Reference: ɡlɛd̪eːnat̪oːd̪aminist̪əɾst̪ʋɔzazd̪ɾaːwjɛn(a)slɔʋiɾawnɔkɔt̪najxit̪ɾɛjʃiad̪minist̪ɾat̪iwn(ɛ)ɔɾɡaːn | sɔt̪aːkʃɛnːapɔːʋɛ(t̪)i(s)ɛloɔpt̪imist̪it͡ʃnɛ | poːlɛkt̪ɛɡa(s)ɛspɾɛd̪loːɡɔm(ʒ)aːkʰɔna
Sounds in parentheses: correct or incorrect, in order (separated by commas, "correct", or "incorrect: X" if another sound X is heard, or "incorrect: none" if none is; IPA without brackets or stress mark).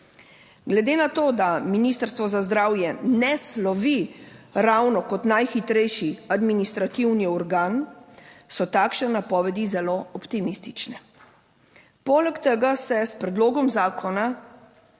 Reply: incorrect: ɛ, incorrect: i, incorrect: d̪, incorrect: z, correct, incorrect: z